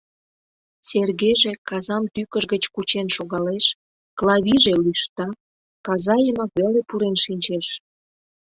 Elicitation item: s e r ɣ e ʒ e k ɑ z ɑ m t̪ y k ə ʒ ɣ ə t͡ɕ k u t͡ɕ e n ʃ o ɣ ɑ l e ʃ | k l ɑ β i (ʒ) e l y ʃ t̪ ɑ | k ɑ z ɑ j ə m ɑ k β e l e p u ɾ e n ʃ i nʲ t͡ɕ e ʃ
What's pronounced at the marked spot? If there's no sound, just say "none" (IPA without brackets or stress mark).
ʒ